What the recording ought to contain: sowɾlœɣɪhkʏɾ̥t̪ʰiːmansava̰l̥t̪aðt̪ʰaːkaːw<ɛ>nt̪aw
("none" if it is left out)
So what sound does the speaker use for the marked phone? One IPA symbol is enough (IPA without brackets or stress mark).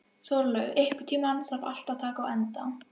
ɛ